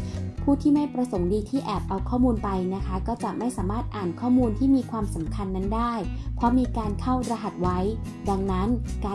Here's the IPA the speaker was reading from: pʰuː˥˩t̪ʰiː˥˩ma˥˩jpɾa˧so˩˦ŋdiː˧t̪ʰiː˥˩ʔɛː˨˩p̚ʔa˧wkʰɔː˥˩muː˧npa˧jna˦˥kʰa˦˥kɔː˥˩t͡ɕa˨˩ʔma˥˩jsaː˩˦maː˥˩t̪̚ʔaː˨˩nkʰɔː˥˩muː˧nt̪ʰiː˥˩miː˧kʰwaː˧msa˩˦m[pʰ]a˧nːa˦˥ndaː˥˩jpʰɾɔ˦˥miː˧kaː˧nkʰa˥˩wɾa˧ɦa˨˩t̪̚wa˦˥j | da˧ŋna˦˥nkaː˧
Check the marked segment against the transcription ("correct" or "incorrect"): incorrect